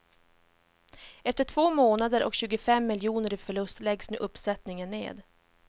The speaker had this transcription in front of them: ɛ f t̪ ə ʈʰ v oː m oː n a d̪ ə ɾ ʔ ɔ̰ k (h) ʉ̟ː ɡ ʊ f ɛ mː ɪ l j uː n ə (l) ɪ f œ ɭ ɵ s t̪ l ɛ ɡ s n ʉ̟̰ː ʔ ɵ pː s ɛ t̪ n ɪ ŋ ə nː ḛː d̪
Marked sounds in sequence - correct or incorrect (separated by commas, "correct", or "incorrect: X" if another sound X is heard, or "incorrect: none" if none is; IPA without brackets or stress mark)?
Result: incorrect: ɕ, incorrect: ɾ